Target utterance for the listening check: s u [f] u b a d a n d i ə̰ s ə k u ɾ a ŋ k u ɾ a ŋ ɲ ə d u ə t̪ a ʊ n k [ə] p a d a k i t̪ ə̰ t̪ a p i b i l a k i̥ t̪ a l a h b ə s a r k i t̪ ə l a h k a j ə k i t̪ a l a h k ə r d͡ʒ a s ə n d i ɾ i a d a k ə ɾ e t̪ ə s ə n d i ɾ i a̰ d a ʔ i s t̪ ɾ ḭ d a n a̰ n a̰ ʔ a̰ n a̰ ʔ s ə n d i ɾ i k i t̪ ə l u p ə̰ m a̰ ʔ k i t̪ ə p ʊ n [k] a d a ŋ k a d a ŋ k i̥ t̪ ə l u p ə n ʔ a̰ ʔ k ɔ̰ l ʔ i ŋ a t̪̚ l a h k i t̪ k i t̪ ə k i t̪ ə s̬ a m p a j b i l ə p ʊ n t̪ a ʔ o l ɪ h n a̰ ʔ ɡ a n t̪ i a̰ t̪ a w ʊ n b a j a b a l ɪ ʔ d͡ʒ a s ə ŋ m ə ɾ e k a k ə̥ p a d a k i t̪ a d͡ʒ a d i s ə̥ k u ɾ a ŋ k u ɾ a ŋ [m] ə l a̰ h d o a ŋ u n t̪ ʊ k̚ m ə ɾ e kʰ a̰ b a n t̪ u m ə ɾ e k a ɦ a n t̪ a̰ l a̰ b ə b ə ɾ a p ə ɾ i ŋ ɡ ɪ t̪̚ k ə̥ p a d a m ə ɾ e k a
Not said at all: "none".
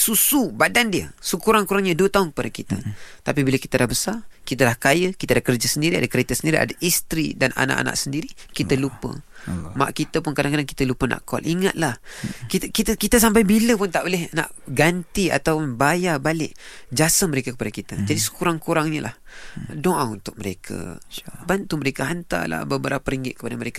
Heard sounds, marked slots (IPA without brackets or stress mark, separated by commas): s, ə, k, ɲ